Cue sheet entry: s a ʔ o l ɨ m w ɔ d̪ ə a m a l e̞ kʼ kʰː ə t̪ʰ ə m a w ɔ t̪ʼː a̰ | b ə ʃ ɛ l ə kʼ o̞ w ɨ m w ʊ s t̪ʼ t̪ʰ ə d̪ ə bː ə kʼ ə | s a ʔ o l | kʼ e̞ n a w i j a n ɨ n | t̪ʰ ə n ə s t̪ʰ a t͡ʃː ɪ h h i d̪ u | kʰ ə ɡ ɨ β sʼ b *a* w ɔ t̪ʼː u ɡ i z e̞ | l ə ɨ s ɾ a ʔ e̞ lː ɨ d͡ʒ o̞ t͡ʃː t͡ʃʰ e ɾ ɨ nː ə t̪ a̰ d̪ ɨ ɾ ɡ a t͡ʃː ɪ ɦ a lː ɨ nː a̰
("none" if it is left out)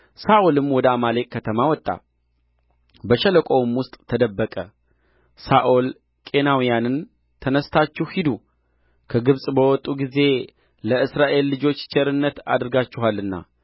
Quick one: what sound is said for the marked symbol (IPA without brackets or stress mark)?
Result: ə